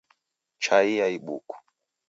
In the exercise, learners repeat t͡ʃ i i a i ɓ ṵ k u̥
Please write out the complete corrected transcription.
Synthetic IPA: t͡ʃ a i a i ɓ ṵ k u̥